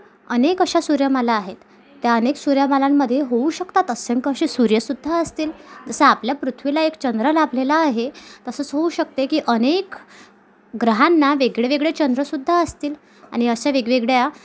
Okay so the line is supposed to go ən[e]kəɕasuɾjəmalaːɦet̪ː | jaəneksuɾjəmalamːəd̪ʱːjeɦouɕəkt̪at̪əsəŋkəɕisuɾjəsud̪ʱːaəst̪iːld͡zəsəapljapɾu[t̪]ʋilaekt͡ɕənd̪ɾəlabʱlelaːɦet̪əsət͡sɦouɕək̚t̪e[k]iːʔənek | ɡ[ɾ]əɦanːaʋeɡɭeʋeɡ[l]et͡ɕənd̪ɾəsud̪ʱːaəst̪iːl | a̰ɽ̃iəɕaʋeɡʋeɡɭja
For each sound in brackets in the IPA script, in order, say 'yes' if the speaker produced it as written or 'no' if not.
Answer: yes, no, yes, yes, no

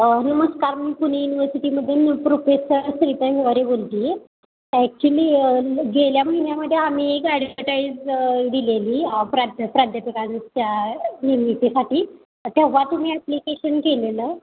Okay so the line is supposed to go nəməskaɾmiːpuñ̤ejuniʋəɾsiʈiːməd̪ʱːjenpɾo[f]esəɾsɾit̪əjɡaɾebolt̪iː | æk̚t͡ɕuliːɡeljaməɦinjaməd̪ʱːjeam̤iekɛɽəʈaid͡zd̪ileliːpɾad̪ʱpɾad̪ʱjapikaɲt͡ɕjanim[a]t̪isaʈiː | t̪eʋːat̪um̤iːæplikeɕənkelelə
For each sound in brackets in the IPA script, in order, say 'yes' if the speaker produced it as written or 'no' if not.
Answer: yes, no

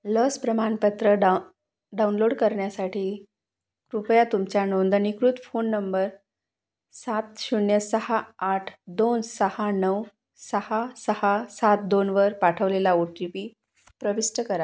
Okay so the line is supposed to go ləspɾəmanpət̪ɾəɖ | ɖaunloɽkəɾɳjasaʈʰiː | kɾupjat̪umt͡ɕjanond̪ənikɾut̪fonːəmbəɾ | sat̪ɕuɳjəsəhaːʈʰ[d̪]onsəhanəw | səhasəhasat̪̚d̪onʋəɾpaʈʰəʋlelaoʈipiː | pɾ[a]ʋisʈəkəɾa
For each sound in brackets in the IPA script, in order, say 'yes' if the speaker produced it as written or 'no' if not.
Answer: yes, no

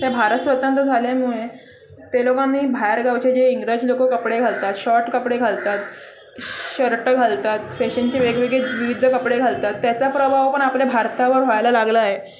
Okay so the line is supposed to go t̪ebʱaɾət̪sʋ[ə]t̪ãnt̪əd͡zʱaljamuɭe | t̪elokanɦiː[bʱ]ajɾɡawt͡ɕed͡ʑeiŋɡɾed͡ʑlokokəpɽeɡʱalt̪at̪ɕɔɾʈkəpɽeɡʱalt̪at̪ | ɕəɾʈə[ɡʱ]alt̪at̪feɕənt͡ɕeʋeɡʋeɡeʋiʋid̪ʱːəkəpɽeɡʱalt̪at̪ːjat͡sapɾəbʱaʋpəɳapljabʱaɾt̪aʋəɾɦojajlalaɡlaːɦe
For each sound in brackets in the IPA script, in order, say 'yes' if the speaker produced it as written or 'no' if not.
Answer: yes, yes, yes

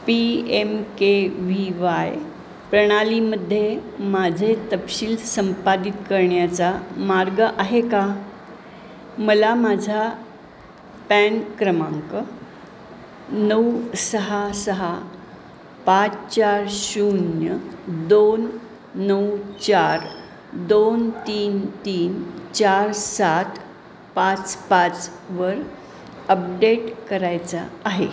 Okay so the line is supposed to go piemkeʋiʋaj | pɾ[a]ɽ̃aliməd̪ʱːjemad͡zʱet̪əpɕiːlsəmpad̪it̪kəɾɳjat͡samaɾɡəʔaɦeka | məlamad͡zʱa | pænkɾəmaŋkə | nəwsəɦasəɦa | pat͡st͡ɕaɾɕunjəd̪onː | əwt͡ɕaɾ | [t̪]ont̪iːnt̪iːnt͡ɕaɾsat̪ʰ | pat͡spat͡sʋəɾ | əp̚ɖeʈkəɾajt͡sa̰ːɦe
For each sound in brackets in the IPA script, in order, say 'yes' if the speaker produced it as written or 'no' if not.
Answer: no, no

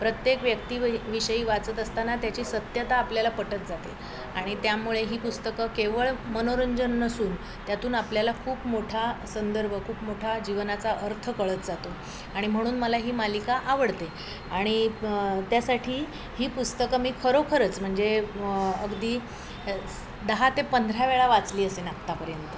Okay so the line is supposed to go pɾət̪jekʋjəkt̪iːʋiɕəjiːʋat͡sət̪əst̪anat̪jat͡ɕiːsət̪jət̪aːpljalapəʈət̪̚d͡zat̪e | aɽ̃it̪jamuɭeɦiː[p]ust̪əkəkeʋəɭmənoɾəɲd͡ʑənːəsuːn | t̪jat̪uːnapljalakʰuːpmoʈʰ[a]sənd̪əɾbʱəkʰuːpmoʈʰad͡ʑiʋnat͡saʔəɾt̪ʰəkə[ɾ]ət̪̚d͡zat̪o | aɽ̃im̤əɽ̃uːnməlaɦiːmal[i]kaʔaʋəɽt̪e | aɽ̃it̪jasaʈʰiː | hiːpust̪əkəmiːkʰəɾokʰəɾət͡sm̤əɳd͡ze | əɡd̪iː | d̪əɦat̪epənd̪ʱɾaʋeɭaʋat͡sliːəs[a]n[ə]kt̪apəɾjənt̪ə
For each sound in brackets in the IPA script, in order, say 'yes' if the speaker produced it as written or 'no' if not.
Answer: yes, yes, no, yes, no, no

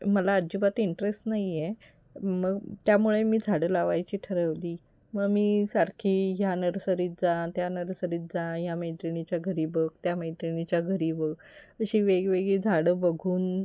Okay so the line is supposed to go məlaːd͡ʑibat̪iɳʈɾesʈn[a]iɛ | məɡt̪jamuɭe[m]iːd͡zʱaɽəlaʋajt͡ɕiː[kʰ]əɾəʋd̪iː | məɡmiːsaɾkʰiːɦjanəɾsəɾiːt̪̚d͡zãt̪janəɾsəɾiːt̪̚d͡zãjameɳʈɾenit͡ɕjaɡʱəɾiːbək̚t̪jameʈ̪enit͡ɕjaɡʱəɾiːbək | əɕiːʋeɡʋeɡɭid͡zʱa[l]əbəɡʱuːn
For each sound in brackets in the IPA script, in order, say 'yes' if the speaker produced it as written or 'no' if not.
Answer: yes, yes, no, no

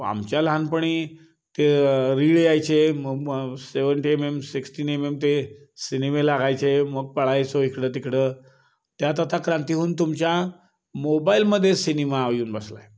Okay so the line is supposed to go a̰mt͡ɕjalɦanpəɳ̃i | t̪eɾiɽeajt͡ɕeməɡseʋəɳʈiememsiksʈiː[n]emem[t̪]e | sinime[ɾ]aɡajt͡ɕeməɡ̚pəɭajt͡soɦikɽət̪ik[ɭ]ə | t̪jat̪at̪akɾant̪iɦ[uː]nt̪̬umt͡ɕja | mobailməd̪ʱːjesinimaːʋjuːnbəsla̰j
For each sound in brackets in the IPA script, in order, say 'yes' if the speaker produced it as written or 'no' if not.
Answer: yes, yes, no, no, yes

